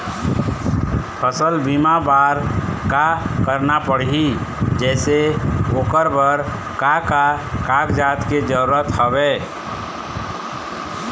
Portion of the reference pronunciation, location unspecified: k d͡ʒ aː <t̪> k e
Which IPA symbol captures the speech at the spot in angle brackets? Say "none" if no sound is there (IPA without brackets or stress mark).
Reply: t̪